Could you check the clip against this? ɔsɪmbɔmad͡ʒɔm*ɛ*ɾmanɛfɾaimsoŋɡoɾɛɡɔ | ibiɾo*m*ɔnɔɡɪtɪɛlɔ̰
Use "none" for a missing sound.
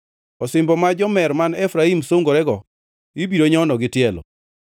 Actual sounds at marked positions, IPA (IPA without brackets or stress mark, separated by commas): ɛ, ɲ